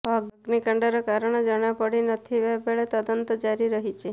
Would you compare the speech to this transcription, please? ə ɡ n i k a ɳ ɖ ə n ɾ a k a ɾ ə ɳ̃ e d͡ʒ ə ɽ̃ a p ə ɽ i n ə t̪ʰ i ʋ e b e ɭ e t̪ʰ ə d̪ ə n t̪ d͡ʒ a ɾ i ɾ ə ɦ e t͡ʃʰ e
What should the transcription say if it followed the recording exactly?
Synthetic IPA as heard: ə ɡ n i k ə ɳ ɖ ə ɾ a k a ɾ ə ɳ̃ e d͡ʒ ə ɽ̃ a p ə ɽ i n ə t̪ʰ i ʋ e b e ɭ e t̪ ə d̪ ə n t̪ d͡ʒ a ɾ i ɾ ə ɦ i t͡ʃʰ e